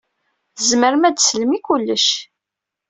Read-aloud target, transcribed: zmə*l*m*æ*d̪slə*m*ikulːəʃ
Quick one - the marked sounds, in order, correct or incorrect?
incorrect: ɾ, correct, correct

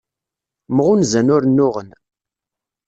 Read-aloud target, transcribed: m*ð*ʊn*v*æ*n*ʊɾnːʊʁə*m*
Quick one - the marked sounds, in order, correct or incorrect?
incorrect: ʁ, incorrect: z, correct, incorrect: n

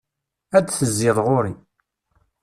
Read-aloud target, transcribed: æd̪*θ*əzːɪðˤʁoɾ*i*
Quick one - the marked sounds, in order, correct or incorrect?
correct, correct

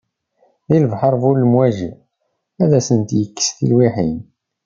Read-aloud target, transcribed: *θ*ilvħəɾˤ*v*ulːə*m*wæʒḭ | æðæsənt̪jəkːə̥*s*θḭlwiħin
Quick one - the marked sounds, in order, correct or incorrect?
incorrect: ð, correct, correct, correct

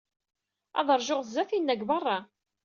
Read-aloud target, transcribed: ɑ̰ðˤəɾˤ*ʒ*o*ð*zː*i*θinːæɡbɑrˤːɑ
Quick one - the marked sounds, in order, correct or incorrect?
correct, incorrect: ʁ, incorrect: æ

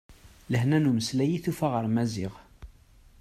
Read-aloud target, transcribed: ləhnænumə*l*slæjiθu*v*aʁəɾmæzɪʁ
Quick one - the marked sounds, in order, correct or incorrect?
incorrect: none, incorrect: f

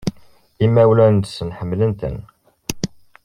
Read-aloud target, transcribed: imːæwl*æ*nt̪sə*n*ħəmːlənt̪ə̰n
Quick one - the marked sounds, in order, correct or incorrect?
correct, correct

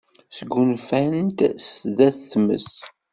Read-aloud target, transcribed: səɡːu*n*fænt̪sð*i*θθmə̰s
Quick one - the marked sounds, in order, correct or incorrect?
correct, incorrect: æ

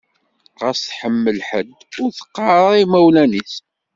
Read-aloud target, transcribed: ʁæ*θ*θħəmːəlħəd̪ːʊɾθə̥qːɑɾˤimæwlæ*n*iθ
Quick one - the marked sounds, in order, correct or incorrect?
incorrect: s, correct

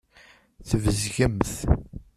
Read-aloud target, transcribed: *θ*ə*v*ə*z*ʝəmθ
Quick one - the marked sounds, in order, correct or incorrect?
correct, correct, correct

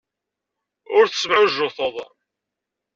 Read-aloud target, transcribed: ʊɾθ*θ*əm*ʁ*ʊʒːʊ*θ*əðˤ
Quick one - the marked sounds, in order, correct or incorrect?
incorrect: s, incorrect: ʕ, correct

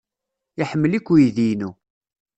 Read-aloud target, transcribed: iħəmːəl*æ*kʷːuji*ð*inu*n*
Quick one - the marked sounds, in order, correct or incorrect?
incorrect: i, correct, incorrect: none

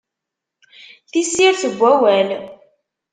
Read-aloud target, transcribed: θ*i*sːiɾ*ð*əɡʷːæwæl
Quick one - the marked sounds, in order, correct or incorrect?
correct, incorrect: θ

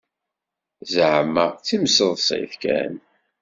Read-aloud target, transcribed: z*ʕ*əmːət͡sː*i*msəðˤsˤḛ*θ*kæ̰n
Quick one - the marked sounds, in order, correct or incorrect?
correct, correct, correct

